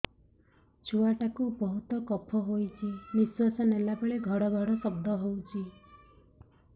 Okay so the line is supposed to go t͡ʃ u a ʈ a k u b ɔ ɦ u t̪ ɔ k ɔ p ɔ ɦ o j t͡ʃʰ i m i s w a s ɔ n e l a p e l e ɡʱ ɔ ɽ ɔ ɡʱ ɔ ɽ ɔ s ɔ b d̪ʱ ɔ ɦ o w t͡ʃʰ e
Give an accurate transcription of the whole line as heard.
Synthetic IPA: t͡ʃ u a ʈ a k u b ɔ ɦ u t̪ ɔ k ɔ pʰ ɔ ɦ o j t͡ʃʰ i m i s w a s ɔ n e l a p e ɭ e ɡʱ ɔ ɽ ɔ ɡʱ ɔ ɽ ɔ s ɔ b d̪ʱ ɔ ɦ o w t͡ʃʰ i